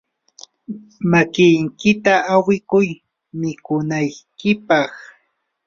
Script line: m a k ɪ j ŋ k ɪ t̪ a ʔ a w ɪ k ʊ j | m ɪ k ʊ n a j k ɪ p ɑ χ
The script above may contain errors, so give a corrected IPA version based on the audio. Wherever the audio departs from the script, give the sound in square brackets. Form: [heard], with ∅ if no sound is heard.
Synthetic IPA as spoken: m a k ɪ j ŋ k ɪ t̪ a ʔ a w ɪ k ʊ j | m ɪ k ʊ n a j k ɪ p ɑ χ